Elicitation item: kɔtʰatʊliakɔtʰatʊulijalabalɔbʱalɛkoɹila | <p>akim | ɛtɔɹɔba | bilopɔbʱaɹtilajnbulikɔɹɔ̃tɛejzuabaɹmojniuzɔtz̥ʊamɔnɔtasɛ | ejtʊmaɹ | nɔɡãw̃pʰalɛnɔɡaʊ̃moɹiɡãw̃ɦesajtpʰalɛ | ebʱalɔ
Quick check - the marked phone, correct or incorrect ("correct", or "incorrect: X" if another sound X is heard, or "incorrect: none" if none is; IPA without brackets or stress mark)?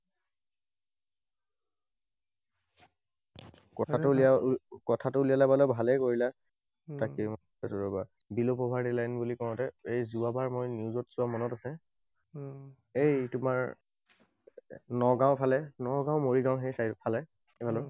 incorrect: t